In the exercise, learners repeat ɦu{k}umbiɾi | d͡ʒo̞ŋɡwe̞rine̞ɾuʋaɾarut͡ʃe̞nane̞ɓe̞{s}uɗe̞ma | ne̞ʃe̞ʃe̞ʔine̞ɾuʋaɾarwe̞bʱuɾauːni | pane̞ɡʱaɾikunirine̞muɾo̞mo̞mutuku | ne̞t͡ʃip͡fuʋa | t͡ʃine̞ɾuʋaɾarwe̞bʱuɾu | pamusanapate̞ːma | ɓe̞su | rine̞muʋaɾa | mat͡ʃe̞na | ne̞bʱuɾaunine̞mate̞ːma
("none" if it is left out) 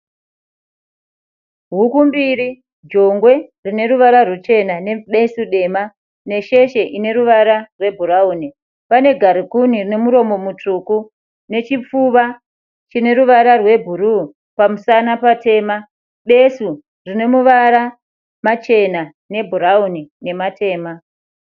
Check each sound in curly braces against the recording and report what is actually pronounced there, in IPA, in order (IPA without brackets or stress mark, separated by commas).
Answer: k, s